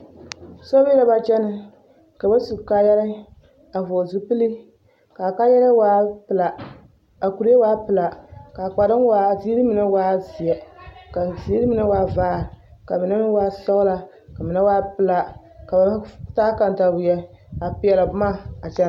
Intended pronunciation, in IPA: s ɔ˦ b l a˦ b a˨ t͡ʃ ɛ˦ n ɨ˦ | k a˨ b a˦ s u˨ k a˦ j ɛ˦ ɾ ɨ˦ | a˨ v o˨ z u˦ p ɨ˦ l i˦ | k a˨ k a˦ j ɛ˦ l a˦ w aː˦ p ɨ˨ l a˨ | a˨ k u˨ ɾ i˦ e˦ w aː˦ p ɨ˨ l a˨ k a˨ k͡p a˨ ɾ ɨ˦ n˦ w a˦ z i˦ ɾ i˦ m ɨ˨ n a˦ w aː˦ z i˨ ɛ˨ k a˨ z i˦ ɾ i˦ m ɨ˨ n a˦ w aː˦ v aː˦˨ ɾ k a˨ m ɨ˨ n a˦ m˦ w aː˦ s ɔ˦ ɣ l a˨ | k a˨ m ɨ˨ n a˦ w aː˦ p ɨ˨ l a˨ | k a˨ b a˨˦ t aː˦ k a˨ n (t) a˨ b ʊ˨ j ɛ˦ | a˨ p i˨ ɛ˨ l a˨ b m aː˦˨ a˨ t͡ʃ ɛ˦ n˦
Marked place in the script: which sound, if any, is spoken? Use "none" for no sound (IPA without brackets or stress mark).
t